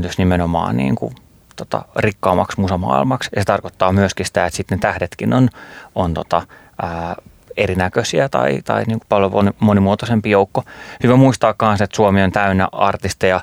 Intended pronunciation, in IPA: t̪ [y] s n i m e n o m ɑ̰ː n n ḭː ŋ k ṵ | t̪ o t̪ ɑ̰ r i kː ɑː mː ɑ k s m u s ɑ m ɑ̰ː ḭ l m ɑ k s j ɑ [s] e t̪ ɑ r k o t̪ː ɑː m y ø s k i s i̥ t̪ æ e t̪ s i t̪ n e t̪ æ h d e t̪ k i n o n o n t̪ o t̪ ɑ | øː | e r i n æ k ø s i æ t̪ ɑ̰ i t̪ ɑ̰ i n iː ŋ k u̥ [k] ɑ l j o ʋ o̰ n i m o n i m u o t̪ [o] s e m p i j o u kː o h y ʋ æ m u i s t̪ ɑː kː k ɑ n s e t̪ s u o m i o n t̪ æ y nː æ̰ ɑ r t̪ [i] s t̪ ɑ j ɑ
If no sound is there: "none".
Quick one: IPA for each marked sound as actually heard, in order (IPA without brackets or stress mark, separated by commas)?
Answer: y, s, p, o, i